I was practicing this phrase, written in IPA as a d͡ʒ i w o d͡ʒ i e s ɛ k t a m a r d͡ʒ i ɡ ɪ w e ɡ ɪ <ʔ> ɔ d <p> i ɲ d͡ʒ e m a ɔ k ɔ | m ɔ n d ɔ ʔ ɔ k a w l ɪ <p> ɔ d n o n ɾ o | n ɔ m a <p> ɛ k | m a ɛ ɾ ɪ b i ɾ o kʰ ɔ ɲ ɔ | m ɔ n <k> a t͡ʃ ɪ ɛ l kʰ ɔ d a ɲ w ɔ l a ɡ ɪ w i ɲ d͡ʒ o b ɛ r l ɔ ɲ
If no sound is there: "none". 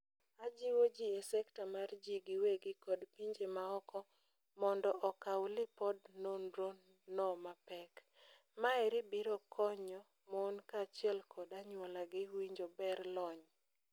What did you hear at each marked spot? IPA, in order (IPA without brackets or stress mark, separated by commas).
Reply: k, p, p, p, k